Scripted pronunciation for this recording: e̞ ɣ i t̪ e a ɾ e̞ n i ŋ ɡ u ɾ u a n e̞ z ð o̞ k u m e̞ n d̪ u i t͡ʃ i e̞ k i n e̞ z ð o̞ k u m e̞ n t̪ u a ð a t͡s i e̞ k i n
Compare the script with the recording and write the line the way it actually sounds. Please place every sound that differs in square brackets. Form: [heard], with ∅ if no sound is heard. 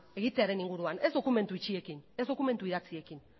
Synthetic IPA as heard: e̞ ɣ i t̪ e a ɾ e̞ n i ŋ ɡ u ɾ u a n e̞ z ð o̞ k u m e̞ n [t̪] u i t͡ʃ i e̞ k i n e̞ z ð o̞ k u m e̞ n t̪ u [i] ð a t͡s i e̞ k i n